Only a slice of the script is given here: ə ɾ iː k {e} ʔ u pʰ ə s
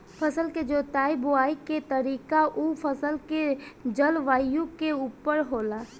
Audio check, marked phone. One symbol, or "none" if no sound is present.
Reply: a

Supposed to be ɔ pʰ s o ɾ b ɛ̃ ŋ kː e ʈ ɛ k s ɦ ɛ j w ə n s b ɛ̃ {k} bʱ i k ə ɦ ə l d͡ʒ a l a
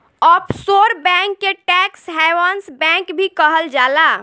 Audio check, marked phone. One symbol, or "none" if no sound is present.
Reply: k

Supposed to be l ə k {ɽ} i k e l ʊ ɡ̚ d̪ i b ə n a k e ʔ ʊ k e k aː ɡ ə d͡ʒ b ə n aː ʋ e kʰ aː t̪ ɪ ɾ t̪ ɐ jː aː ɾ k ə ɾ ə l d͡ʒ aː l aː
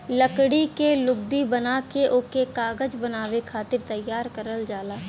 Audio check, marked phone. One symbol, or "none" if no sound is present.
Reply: ɽ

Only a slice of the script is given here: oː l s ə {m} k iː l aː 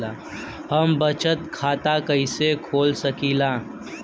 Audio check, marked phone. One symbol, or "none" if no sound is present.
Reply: none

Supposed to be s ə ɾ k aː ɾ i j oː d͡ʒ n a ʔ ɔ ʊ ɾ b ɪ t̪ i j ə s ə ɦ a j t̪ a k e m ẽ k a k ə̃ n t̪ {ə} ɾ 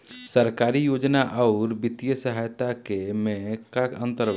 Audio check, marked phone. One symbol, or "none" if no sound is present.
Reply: ə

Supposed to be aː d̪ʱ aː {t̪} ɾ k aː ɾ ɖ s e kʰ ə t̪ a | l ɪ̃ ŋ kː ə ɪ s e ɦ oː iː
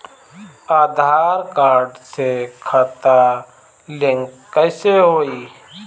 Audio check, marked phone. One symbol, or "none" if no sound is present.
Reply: none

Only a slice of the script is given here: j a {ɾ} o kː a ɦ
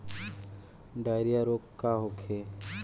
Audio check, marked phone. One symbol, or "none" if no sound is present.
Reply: ɾ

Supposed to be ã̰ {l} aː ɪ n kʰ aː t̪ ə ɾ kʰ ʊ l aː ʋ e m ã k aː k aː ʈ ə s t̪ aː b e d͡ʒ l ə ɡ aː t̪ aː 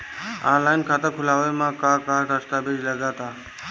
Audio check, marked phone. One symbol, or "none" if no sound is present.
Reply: l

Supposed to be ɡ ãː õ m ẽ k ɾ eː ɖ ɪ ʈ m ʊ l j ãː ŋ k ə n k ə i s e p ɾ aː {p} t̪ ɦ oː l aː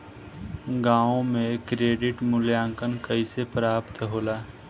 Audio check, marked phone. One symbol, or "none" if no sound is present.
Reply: p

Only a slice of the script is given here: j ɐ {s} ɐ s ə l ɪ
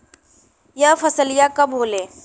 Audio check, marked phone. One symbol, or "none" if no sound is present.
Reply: f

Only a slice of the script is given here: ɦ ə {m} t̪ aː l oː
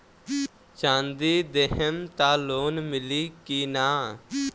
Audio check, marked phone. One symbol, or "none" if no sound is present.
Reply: m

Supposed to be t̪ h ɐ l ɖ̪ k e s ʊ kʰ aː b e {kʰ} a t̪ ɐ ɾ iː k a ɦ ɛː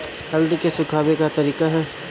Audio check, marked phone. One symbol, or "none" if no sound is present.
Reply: k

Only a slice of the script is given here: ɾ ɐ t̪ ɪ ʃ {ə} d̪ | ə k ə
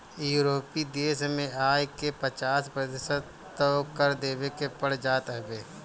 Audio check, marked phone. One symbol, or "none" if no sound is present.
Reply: ə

